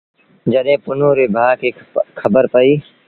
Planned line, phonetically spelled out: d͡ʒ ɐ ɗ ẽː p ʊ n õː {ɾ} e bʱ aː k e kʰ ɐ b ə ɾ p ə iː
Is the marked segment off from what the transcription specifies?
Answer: no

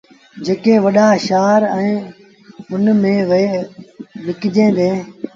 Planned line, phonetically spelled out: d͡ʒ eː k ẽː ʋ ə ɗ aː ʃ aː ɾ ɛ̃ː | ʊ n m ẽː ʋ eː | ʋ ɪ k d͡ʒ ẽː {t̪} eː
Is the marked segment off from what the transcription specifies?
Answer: yes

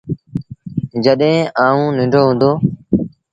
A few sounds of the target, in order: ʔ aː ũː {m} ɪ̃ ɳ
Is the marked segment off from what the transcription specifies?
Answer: yes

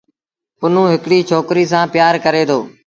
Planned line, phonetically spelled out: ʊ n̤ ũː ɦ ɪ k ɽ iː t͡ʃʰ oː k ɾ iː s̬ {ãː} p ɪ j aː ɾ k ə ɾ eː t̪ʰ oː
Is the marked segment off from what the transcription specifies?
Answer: no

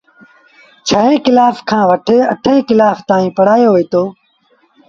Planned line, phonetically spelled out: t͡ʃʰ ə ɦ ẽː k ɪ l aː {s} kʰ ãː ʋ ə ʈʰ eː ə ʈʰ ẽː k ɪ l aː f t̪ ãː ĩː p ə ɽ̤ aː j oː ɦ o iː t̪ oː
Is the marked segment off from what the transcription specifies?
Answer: yes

